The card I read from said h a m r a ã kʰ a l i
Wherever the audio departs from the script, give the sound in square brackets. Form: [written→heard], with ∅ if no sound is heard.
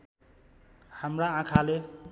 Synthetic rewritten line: h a m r a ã kʰ a l [i→e]

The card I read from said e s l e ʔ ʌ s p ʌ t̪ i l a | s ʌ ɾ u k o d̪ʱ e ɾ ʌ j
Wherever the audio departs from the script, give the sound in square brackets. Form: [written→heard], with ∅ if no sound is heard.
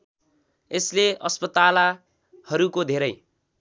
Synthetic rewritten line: e s l e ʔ ʌ s p ʌ t̪ [i→a] l a | [s→h] ʌ ɾ u k o d̪ʱ e ɾ ʌ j

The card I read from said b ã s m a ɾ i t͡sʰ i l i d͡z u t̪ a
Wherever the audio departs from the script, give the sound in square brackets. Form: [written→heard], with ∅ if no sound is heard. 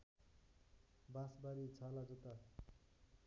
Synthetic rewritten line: b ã s [m→b] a ɾ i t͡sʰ [i→a] l [i→a] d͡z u t̪ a

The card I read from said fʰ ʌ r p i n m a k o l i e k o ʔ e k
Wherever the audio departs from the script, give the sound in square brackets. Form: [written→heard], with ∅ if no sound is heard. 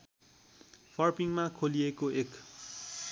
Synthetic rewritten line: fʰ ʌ r p i [n→ŋ] m a [k→kʰ] o l i e k o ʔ e k

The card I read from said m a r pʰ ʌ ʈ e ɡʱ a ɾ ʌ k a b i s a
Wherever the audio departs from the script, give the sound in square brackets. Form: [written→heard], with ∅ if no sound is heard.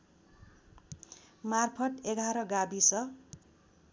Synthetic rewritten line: m a r pʰ ʌ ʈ e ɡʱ a ɾ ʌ [k→ɡ] a b i s [a→ʌ]

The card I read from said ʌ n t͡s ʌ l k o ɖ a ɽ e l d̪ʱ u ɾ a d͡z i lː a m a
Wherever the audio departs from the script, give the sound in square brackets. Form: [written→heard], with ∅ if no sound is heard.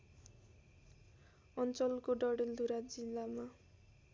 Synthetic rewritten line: ʌ n t͡s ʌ l k o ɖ [a→ʌ] ɽ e l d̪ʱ u ɾ a d͡z i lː a m a

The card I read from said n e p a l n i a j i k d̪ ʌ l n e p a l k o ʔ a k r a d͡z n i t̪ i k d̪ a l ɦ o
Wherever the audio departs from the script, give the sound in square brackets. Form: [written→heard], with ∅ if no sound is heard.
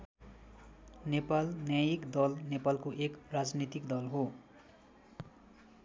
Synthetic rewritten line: n e p a l n [i→j] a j i k d̪ ʌ l n e p a l k o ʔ [a→e] k r a d͡z n i t̪ i k d̪ [a→ʌ] l ɦ o

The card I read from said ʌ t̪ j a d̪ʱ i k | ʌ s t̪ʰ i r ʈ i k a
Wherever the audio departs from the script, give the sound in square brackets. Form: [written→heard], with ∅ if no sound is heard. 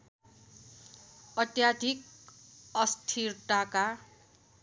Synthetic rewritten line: ʌ t̪ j a d̪ʱ i k | ʌ s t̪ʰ i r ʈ [i→a] k a

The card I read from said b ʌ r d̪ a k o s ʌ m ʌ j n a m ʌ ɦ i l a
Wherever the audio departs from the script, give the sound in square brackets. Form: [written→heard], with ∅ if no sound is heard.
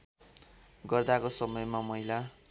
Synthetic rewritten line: [b→ɡ] ʌ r d̪ a k o s ʌ m ʌ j [n→m] a m ʌ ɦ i l a

